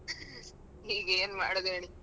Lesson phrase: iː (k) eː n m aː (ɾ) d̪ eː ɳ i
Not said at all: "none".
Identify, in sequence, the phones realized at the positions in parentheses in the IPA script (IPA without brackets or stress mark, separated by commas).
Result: ɡ, ɽ